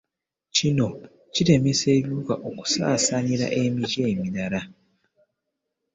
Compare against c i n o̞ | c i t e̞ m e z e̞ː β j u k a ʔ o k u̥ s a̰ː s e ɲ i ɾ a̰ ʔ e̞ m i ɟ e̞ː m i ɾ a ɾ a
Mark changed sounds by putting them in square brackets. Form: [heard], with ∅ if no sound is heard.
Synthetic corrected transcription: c i n o̞ | c i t e̞ m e [s] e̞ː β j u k a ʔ o k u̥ s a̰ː s [a] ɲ i ɾ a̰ ʔ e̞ m i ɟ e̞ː m i ɾ a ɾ a